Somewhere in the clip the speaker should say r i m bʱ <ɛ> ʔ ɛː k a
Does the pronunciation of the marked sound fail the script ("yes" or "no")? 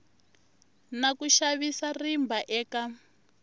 yes